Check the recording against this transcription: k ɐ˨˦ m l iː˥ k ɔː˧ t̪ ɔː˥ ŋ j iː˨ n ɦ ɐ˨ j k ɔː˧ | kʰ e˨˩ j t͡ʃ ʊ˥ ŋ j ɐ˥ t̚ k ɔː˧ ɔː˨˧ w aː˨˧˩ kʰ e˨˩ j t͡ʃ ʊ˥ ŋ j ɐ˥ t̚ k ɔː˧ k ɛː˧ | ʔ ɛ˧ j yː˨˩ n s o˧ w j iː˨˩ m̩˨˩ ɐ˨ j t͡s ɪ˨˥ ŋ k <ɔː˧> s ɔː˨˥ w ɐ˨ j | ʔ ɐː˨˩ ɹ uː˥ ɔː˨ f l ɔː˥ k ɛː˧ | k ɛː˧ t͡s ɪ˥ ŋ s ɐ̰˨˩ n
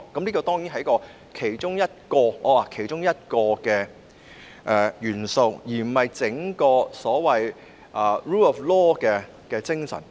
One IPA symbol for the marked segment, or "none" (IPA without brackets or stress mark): ɔː˧